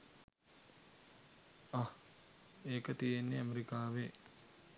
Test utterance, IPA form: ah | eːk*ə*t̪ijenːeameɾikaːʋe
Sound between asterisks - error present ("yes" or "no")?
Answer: no